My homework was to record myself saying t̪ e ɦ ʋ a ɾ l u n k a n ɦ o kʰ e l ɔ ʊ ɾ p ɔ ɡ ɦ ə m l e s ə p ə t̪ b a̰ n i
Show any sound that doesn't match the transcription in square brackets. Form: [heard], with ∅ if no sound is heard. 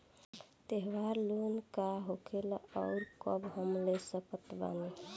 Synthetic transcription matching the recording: t̪ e ɦ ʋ a ɾ l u n k a [∅] ɦ o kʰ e l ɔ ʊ ɾ [k] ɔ [b] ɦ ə m l e s ə p ə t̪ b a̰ n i